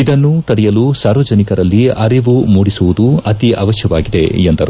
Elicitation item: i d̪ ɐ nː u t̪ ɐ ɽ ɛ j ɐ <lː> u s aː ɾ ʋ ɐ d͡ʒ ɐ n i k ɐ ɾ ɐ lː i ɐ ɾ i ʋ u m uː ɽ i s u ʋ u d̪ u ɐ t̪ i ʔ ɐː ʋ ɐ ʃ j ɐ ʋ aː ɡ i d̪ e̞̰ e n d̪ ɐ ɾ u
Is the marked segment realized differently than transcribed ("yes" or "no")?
yes